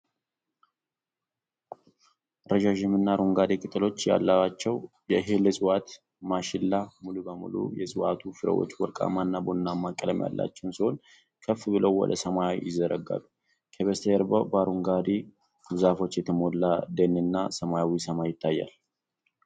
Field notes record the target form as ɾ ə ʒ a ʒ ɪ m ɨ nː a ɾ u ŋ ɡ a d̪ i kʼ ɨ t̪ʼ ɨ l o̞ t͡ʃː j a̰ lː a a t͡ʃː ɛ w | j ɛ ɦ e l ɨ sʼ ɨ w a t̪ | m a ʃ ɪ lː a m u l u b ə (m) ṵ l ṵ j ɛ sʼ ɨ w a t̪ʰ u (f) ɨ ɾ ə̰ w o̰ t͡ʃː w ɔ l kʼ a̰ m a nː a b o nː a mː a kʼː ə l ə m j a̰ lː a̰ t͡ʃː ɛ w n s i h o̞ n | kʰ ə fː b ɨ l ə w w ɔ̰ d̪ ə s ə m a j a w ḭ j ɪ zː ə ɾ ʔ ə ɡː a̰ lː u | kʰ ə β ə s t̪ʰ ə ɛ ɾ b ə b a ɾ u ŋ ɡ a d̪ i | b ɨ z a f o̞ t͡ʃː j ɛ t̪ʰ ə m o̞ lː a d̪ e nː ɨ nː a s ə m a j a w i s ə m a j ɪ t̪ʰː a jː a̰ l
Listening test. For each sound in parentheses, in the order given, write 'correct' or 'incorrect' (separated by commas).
correct, correct